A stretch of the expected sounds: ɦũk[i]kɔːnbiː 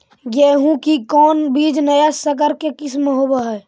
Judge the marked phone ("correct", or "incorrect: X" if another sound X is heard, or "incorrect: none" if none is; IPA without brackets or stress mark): correct